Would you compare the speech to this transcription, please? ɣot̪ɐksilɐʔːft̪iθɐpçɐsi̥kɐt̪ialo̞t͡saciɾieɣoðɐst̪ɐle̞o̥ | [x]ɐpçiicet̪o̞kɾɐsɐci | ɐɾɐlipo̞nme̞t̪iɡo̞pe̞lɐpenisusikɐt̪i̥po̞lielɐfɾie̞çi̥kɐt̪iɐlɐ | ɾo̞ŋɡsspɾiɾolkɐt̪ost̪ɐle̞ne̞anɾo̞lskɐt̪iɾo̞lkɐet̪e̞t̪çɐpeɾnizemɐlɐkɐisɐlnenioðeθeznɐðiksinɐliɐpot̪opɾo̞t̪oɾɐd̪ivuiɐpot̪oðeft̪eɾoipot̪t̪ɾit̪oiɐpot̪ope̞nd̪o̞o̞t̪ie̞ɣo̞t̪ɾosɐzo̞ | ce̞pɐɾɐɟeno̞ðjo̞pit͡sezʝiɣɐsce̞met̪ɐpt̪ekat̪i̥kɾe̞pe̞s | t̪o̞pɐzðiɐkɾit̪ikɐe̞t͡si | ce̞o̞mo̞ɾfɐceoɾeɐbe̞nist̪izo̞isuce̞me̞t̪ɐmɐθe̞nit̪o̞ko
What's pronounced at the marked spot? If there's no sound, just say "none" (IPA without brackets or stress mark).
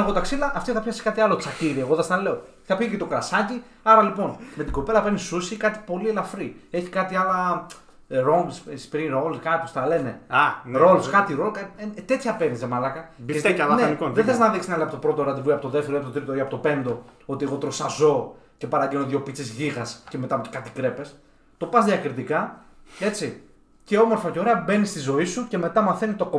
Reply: θ